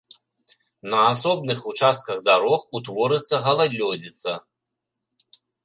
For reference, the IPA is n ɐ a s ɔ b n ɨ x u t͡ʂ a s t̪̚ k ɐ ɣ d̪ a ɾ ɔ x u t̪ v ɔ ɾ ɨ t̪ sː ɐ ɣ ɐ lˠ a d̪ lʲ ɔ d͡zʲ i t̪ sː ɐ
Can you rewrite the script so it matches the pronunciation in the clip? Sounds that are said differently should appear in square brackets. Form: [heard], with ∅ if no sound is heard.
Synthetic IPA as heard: n ɐ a s ɔ b n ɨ x u t͡ʂ a s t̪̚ k ɐ ɣ d̪ a ɾ ɔ x u t̪ v ɔ ɾ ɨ t̪ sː ɐ ɣ ɐ lˠ a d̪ lʲ ɔ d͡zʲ i t̪ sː ɐ